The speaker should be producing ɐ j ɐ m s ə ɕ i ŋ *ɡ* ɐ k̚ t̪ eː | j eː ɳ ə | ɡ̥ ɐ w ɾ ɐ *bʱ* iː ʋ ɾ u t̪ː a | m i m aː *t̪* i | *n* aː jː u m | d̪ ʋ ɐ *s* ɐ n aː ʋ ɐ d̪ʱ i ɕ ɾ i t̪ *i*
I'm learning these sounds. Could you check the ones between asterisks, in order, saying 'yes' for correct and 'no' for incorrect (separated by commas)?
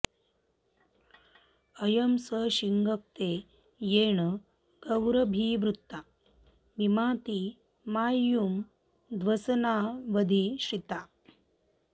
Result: yes, yes, yes, no, yes, no